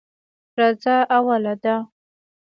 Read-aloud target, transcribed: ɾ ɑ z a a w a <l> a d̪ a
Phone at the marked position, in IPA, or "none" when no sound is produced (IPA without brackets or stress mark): l